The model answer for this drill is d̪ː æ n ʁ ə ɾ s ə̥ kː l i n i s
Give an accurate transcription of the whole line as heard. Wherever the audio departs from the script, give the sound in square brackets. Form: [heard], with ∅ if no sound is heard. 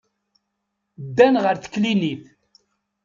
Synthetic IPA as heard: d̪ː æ n ʁ ə ɾ [θ] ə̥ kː l i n i [θ]